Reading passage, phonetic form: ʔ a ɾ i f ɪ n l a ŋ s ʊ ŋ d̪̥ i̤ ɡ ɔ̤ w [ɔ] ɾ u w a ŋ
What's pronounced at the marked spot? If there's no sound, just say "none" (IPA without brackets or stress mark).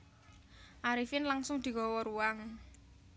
ɔ